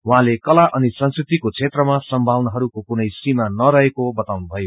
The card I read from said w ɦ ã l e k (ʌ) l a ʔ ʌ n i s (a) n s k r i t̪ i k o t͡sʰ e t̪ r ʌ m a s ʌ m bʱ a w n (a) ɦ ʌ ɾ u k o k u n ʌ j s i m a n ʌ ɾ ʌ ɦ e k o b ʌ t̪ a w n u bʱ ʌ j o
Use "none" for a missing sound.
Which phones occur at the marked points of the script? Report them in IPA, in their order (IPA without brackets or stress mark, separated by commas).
ʌ, ʌ, ʌ